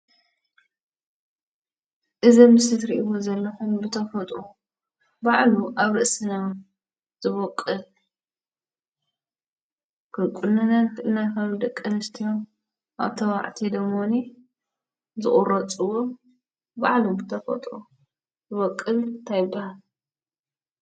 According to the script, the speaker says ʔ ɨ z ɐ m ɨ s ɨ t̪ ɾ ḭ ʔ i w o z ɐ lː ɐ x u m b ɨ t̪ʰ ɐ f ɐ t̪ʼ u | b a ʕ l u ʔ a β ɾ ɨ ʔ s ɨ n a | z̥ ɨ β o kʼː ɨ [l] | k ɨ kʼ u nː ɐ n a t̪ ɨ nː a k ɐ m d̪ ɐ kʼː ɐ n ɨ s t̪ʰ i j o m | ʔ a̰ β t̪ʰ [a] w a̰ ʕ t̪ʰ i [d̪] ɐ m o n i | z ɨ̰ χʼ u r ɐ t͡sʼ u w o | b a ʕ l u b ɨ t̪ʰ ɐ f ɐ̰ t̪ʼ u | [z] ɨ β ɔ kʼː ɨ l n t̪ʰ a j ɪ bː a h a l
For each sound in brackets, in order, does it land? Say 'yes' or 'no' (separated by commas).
yes, no, yes, yes